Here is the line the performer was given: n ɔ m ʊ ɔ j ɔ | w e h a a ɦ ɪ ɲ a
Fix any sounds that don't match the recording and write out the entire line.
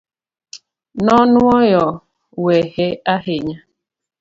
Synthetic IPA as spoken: n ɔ n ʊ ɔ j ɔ | w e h e a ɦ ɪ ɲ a